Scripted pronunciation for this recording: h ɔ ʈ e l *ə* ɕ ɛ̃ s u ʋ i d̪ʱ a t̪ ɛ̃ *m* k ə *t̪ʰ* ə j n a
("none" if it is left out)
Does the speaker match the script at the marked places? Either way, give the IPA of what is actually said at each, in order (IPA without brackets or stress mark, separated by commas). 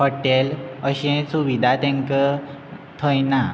ə, ŋ, t̪ʰ